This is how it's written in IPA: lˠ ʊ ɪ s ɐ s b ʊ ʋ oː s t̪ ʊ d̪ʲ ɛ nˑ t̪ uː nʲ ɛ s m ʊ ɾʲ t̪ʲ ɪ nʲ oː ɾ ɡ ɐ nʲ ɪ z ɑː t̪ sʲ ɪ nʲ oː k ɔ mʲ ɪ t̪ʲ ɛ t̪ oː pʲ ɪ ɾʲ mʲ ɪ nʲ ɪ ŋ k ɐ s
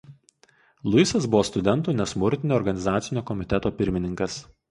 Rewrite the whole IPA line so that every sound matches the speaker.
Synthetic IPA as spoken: lˠ ʊ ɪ s ɐ s b ʊ ʋ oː s t̪ ʊ d̪ʲ ɛ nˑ t̪ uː nʲ ɛ s m ʊ ɾʲ t̪ʲ ɪ nʲ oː ɾ ɡ ɐ nʲ ɪ z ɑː t̪ sʲ ɪ nʲ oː k ɔ mʲ ɪ t̪ʲ ɛ t̪ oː pʲ ɪ ɾʲ mʲ ɪ nʲ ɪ ŋ k ɐ s